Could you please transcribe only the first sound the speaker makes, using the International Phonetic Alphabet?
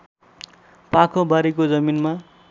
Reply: p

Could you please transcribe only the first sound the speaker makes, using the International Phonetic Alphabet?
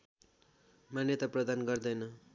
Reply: m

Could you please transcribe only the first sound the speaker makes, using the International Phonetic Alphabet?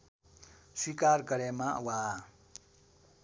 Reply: s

